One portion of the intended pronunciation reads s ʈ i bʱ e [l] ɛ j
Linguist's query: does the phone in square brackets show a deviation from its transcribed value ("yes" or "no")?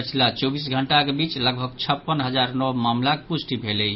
no